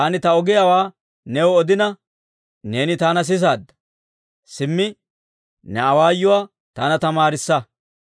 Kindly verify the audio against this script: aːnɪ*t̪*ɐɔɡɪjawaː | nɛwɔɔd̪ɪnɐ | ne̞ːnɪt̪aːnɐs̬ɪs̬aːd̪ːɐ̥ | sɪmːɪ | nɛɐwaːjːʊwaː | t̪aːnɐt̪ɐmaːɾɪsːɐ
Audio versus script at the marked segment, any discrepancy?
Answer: no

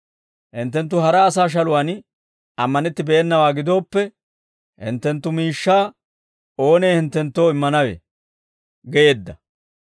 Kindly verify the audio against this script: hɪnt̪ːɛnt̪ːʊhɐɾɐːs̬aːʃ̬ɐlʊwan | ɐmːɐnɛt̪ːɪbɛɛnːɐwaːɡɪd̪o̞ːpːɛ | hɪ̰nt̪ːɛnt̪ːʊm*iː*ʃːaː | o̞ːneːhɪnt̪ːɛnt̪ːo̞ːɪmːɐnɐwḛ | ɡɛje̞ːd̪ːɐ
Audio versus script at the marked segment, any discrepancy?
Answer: no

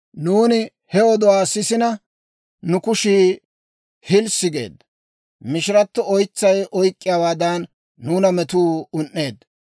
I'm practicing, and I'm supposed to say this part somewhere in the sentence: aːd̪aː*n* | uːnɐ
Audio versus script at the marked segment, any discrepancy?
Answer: yes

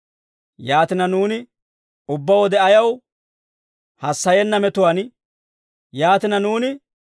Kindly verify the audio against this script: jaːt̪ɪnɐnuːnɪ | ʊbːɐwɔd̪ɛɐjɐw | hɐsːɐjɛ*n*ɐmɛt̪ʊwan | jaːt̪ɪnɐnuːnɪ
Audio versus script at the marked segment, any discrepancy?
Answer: yes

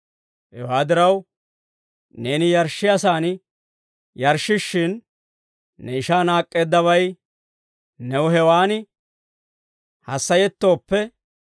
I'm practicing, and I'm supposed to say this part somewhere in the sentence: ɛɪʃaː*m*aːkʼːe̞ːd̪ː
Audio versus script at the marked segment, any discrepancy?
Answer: yes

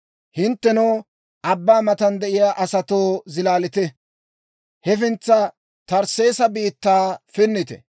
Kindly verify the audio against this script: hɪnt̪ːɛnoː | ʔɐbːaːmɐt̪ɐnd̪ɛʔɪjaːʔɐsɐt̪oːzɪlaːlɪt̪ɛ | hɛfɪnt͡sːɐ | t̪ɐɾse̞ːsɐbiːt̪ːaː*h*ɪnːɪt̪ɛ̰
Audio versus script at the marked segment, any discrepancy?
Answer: yes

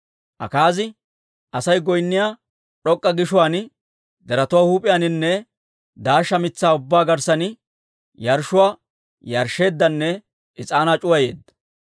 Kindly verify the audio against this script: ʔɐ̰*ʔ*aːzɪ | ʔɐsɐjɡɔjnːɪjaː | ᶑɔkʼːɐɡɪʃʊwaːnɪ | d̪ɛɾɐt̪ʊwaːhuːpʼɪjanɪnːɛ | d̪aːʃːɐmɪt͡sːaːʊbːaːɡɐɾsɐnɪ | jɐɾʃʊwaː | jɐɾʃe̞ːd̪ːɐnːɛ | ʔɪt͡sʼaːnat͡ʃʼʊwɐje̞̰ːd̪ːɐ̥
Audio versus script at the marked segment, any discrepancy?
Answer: yes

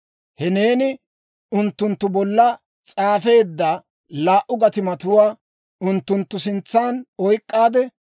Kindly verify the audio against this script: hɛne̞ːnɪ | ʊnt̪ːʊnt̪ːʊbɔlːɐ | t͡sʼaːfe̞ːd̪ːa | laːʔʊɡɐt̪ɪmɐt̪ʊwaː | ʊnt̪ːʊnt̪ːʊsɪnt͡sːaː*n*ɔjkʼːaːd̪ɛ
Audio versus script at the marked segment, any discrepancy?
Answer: no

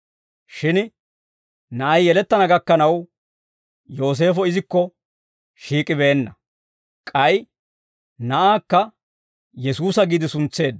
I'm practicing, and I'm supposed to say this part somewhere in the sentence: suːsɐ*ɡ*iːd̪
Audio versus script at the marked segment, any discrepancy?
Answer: no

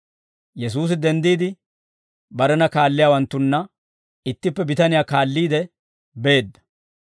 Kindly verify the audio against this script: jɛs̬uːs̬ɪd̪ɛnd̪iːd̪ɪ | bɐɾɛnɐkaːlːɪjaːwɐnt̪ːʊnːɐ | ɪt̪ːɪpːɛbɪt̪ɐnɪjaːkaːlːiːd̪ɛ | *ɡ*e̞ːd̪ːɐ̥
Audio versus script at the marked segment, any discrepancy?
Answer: yes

